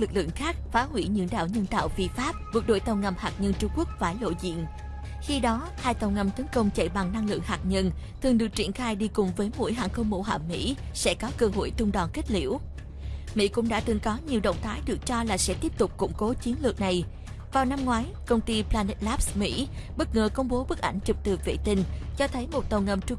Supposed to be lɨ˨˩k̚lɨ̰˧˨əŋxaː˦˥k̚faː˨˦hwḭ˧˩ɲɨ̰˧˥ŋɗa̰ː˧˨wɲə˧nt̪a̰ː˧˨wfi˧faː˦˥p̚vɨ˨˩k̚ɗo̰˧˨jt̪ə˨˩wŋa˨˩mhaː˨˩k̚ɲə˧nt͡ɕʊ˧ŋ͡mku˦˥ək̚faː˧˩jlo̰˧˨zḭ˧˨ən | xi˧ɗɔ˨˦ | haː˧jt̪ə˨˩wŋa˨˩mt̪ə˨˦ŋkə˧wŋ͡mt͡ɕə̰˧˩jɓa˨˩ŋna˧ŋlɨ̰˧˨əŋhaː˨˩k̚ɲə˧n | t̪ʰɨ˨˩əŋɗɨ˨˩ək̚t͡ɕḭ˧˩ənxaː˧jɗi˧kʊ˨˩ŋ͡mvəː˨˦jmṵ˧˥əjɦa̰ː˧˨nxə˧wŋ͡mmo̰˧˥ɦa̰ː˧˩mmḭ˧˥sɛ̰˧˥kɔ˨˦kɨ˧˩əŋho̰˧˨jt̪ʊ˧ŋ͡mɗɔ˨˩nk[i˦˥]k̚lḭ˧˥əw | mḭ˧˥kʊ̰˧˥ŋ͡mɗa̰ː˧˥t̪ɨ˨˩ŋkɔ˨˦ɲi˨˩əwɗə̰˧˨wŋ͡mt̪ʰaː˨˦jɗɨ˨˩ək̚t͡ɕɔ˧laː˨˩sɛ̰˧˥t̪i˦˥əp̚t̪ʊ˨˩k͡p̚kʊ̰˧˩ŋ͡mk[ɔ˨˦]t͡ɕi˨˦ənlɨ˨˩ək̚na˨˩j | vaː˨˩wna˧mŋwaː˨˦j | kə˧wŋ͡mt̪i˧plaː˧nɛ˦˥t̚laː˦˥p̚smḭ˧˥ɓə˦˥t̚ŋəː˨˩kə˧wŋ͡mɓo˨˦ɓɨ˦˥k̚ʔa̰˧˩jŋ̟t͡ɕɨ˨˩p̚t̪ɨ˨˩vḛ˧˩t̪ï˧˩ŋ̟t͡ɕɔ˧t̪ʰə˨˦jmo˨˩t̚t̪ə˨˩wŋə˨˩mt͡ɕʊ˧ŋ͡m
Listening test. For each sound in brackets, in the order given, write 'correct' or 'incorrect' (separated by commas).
correct, incorrect